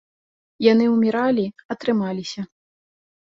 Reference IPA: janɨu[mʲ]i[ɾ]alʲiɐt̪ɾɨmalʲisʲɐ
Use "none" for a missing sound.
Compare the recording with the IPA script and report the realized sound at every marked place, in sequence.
mʲ, ɾ

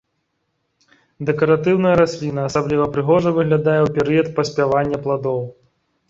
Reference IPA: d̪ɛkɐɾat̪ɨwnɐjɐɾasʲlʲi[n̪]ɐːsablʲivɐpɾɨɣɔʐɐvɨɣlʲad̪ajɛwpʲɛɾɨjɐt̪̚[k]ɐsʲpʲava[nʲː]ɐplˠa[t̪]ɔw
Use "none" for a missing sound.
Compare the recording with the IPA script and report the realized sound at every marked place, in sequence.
n̪, p, nʲː, d̪

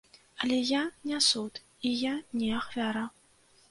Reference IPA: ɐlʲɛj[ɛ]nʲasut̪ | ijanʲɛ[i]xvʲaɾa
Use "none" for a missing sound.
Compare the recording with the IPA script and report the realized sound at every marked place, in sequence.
a, a

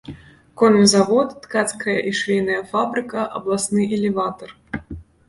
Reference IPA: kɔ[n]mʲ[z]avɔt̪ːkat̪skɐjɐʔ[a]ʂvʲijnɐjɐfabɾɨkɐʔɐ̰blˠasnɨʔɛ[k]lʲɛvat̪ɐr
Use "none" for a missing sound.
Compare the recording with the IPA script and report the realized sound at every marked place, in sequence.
n, z, i, none

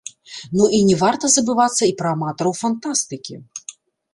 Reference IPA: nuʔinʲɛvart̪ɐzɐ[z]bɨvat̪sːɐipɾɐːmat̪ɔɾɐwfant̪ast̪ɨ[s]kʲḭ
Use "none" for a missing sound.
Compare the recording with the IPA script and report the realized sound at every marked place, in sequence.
none, none

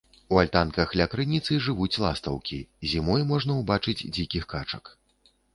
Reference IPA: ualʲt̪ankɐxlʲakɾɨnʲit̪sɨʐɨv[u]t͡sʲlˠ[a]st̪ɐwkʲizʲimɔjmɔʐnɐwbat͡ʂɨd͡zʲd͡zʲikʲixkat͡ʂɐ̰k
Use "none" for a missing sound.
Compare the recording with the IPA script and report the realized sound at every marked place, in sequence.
u, a

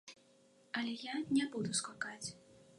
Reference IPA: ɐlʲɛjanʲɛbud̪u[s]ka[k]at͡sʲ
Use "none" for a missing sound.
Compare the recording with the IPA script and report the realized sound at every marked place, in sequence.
s, k

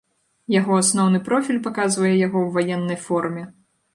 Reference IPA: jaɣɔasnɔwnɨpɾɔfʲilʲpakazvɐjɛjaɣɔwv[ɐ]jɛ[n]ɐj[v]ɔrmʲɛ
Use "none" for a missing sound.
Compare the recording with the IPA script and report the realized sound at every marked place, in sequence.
a, nː, f

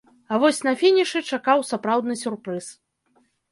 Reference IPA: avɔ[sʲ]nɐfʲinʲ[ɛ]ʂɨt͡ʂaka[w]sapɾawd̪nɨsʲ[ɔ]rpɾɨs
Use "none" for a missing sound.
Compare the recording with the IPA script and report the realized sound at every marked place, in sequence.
sʲ, i, w, u

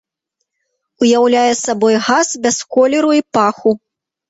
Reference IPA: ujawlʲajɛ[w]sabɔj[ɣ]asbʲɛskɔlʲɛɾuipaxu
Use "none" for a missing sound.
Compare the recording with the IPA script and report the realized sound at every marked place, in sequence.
none, ɣ

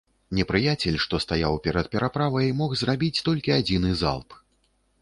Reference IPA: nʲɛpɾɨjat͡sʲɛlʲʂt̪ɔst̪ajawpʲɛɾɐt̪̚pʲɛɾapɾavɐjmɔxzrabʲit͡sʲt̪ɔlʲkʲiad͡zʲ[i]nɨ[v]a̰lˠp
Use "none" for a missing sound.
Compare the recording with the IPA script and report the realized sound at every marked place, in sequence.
i, z

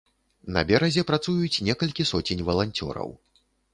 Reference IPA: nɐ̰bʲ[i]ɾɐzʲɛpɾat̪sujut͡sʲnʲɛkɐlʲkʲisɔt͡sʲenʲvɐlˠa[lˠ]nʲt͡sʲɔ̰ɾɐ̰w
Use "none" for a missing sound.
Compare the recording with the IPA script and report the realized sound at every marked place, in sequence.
ɛ, none

